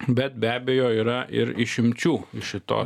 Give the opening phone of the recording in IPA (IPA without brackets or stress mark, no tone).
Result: bʲ